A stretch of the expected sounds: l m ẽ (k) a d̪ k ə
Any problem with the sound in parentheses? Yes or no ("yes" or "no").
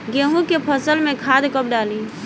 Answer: yes